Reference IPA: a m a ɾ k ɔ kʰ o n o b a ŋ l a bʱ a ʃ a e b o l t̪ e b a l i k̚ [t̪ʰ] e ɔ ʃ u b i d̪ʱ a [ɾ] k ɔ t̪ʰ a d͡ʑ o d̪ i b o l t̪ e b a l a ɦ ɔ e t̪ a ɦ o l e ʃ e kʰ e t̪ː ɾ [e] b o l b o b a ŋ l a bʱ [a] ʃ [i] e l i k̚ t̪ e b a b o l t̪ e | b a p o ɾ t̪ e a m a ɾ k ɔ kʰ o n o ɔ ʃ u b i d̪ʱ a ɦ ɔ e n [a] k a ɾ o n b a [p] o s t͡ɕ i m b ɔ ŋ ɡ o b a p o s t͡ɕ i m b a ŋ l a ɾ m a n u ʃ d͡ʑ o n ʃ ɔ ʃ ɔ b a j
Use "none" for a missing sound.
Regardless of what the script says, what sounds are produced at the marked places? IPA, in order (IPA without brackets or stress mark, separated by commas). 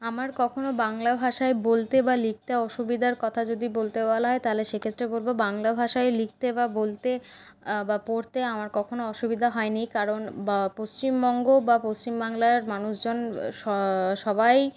t̪, ɾ, e, a, a, i, p